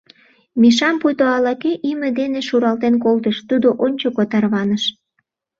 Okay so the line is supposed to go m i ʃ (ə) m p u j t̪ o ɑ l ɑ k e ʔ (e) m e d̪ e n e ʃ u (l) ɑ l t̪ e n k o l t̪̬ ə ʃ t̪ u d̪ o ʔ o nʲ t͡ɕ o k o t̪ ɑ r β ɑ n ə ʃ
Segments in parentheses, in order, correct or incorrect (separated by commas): incorrect, incorrect, incorrect